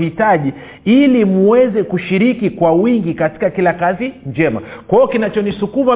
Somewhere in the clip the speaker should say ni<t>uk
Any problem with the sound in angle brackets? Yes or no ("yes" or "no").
yes